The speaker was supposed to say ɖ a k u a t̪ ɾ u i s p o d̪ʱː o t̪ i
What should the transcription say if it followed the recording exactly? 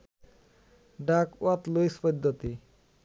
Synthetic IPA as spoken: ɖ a k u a t̪ l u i s p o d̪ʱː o t̪ i